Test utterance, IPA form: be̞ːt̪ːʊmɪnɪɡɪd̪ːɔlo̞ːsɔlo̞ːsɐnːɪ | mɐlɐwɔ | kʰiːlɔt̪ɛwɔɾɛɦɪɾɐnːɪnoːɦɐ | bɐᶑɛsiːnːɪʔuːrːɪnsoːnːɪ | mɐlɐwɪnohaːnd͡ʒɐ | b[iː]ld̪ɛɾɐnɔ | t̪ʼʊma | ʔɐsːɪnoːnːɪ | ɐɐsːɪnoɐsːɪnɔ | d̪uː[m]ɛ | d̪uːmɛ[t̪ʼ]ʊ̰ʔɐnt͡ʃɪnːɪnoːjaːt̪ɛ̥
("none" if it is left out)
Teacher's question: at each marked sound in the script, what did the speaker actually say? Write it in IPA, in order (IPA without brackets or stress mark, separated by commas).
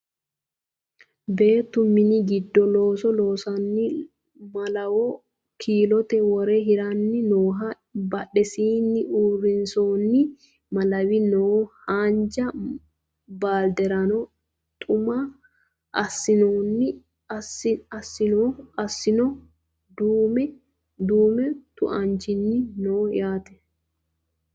aː, m, t̪